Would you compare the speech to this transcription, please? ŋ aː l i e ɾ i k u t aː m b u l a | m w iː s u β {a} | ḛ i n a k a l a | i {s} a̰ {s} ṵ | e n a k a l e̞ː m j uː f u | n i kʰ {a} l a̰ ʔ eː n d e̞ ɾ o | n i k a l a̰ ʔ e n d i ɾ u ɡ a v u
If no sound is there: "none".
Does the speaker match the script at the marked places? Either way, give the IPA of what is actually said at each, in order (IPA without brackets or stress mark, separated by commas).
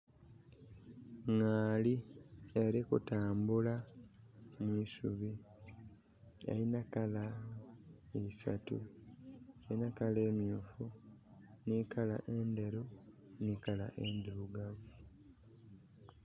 i, s, t, a